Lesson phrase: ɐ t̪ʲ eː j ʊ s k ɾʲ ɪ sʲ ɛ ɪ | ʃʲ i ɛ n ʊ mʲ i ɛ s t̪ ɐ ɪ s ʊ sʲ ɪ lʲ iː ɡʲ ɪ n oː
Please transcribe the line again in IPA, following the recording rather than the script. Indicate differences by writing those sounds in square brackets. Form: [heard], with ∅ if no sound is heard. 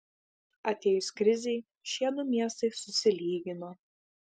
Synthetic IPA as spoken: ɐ t̪ʲ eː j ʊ s k ɾʲ ɪ [zʲ] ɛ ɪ | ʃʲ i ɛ n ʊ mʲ i ɛ s t̪ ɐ ɪ s ʊ sʲ ɪ lʲ iː ɡʲ ɪ n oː